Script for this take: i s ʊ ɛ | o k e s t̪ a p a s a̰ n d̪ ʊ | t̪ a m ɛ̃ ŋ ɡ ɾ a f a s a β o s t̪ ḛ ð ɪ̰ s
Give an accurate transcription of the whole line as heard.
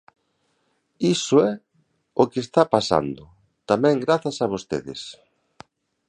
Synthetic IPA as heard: i s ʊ ɛ | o k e s t̪ a p a s a̰ n d̪ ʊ | t̪ a m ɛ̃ ŋ ɡ ɾ a θ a s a β o s t̪ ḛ ð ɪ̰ s